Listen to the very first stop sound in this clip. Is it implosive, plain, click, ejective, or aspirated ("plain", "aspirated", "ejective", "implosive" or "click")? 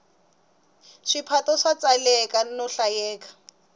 aspirated